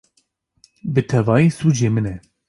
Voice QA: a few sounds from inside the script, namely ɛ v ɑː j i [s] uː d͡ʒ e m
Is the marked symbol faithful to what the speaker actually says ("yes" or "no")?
yes